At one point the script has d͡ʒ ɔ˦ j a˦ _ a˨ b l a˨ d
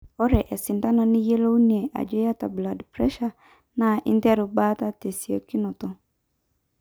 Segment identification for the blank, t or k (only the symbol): t